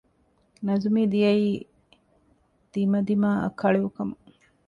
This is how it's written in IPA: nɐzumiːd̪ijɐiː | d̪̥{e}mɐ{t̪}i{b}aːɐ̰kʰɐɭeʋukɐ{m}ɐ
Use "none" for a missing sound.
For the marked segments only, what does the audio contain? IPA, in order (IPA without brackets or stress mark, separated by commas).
i, d̪, m, m